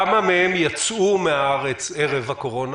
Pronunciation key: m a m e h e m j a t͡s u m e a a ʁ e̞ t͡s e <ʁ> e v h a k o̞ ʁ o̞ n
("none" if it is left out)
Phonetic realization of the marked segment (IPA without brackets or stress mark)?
ʁ